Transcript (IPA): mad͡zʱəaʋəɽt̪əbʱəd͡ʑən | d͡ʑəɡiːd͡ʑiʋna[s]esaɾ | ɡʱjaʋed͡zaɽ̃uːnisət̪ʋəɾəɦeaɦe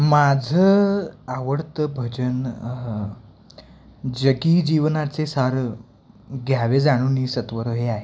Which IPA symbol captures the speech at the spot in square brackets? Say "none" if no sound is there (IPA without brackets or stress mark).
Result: t͡s